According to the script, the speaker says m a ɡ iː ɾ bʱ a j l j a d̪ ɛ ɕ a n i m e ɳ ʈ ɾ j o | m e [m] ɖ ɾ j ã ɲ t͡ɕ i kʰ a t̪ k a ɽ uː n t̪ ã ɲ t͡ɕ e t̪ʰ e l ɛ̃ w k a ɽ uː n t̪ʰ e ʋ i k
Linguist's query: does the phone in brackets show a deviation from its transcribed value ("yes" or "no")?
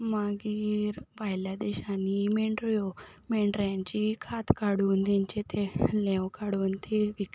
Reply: yes